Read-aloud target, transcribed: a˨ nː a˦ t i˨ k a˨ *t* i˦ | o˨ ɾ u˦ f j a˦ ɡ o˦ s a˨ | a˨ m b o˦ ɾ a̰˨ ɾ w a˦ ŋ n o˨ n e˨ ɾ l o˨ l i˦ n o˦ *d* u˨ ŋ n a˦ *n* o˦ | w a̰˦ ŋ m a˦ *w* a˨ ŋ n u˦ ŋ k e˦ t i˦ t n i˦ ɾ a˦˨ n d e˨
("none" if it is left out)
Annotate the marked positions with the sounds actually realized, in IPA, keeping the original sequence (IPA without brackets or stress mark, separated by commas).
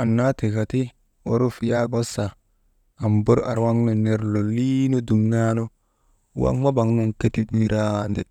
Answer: t, d, n, b